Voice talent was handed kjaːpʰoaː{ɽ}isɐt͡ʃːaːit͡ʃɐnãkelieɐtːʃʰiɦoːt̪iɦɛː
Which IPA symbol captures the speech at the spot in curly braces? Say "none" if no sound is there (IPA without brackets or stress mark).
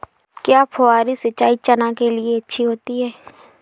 ɾ